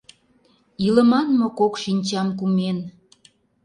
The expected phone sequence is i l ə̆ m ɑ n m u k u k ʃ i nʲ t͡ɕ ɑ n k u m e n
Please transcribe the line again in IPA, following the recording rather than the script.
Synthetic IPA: i l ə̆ m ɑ n m o k o k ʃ i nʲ t͡ɕ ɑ m k u m e n